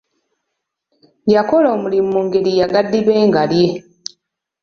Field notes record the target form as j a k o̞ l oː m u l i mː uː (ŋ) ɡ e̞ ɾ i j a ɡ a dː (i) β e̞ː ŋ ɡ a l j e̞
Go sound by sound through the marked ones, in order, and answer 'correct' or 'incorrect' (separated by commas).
correct, correct